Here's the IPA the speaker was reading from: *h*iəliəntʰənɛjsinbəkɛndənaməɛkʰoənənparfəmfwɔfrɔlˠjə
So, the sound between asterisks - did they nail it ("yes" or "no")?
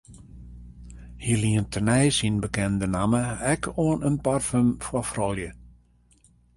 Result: yes